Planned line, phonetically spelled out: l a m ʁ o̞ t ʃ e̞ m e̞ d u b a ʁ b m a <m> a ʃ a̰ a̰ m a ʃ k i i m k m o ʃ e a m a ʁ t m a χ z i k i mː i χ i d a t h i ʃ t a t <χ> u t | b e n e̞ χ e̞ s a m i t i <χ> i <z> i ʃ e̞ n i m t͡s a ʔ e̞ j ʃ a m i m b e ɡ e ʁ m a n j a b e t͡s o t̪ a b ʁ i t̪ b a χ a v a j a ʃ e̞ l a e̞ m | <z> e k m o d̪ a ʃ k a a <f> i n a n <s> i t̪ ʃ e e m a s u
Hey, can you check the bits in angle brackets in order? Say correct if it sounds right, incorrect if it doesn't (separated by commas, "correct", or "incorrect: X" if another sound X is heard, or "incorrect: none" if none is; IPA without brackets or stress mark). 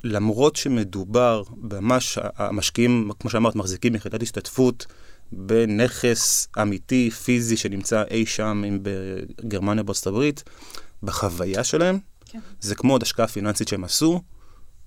correct, incorrect: f, incorrect: f, correct, correct, correct, correct